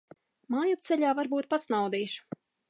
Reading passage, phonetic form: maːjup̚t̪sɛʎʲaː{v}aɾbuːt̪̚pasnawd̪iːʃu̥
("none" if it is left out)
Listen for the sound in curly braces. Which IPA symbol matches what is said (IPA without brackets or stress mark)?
v